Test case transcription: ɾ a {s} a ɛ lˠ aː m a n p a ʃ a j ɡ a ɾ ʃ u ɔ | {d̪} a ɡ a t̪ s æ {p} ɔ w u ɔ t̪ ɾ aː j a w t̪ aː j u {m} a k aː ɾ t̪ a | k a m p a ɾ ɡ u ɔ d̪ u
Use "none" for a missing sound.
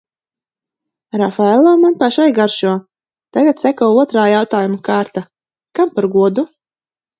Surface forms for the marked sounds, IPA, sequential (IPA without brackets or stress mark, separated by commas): f, t̪, k, m